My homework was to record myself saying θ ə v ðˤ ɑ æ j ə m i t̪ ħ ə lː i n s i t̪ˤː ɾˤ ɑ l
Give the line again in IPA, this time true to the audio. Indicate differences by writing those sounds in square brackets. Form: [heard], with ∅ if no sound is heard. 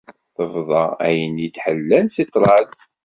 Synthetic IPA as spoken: θ ə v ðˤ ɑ æ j ə [n] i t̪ ħ ə lː [æ] n s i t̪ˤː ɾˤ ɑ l